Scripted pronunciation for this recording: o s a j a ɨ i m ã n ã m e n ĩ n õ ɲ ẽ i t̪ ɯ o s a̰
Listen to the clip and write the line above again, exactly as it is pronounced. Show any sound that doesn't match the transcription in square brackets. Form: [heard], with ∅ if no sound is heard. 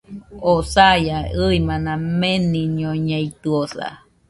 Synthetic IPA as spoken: o s a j a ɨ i m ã n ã m e n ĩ [ɲ] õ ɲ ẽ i t̪ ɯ o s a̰